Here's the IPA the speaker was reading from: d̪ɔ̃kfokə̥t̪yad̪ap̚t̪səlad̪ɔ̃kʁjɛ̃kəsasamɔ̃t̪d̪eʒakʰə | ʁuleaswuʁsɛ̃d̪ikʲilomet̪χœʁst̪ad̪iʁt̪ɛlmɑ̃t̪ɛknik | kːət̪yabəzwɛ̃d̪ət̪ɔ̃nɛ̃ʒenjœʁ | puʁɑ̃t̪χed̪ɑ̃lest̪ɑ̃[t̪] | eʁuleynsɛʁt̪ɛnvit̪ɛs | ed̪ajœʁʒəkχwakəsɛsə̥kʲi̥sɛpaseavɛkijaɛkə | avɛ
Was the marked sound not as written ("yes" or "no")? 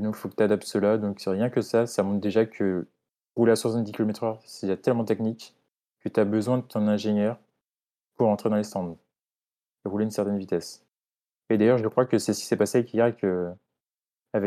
yes